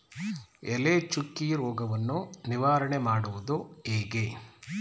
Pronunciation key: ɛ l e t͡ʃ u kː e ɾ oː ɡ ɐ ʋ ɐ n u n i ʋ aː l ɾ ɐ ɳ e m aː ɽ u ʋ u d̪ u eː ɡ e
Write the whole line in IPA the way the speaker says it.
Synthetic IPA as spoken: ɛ l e t͡ʃ u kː i ɾ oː ɡ ɐ ʋ ɐ nː u n i ʋ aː ɾ ɐ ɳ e m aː ɽ u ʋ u d̪ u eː ɡ e